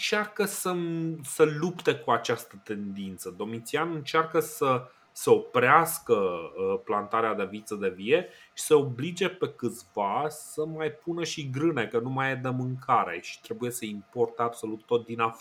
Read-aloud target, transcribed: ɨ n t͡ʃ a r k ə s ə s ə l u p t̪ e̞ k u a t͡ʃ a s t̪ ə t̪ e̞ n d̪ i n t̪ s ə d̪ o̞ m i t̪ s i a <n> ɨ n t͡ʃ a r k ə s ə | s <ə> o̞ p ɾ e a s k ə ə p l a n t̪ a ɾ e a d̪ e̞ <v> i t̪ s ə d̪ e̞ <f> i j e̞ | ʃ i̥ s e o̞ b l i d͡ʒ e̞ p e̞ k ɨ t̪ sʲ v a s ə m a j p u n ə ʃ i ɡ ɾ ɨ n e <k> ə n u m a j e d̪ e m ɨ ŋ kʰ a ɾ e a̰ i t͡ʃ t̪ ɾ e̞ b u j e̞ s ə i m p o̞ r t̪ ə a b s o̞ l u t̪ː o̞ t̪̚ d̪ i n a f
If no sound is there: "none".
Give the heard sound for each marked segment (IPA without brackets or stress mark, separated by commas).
n, ə, v, v, k